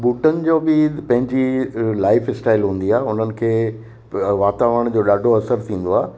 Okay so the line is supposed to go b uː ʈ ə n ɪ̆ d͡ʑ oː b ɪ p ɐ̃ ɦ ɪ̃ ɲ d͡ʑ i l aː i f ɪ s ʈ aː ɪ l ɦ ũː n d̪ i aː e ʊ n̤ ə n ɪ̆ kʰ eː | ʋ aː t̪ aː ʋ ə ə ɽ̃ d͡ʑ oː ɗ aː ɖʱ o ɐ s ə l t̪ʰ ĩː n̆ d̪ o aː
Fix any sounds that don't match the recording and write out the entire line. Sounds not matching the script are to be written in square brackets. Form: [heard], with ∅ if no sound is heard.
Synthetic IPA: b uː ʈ ə n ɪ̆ d͡ʑ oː b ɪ p ɐ̃ ɦ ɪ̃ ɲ d͡ʑ i l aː [ɪ] f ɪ s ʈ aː ɪ l ɦ ũː n d̪ i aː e ʊ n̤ ə n ɪ̆ kʰ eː | ʋ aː t̪ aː ʋ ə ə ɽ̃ d͡ʑ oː ɗ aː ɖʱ o ɐ s ə [ɾ] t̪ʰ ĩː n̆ d̪ o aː